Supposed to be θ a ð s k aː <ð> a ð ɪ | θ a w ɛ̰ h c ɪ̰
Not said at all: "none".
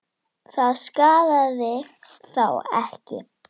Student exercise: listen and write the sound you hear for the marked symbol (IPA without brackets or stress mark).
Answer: ð